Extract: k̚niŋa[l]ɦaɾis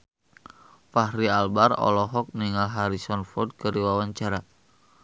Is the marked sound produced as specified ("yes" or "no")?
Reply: yes